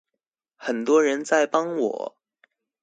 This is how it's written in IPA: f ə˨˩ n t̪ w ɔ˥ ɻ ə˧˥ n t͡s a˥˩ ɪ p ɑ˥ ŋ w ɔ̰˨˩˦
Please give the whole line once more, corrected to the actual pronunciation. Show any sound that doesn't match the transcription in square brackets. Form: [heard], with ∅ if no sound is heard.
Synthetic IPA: [x] ə˨˩ n t̪ w ɔ˥ ɻ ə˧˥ n t͡s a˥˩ ɪ p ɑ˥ ŋ w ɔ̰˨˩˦